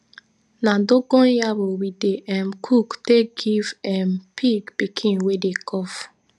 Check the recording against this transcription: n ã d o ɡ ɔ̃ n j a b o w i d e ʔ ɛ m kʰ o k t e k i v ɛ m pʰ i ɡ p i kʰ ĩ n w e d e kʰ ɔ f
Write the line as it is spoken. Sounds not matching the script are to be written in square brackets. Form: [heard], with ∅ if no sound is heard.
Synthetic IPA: n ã d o ɡ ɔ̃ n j a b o w i d e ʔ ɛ m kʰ [u] k t e [ɡ] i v ɛ m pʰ i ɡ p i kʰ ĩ n w e d e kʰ ɔ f

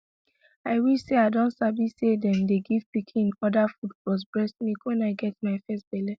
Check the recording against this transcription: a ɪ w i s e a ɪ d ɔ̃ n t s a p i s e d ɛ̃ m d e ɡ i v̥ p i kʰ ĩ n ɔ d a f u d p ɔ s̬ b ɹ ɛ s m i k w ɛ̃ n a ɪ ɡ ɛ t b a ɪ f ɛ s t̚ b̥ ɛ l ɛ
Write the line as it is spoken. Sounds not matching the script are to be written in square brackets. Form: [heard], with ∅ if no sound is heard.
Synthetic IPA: a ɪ w i s e a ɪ d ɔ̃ n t s a [b] i s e d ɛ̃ m d e ɡ i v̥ p i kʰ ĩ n ɔ d a f u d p ɔ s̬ b ɹ ɛ s m i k w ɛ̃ n a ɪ ɡ ɛ t [m] a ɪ f ɛ s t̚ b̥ ɛ l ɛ

